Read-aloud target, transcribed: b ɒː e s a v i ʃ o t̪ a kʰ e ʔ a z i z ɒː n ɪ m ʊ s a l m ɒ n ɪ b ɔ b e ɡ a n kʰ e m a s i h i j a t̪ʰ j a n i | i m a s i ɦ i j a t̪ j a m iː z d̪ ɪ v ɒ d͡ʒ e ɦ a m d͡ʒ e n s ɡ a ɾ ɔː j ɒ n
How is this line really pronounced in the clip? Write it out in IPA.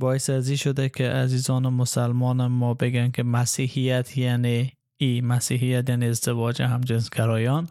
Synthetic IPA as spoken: b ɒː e s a z i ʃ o d̪ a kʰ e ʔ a z i z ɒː n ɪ m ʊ s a l m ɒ n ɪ m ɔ b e ɡ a n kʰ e m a s i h i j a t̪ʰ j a n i | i m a s i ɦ i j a t̪ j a n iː z d̪ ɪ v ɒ d͡ʒ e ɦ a m d͡ʒ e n s ɡ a ɾ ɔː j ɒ n